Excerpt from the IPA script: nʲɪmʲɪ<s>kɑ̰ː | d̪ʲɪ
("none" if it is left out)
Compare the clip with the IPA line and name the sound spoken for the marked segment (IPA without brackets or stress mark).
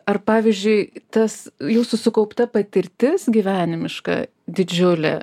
ʃ